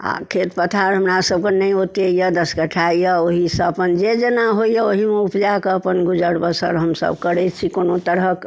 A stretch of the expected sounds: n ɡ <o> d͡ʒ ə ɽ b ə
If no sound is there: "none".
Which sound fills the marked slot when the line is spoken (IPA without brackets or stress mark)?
u